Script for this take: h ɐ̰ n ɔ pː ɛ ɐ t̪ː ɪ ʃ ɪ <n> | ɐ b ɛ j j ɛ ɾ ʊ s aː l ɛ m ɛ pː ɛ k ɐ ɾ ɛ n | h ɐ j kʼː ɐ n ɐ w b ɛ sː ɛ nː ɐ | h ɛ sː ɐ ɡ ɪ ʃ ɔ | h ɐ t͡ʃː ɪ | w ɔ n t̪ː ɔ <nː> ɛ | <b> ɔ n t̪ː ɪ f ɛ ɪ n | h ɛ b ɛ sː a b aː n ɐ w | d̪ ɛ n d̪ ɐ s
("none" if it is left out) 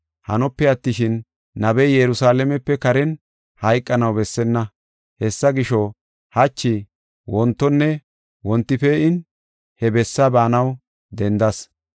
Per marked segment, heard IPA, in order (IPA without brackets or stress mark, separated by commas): nː, nː, w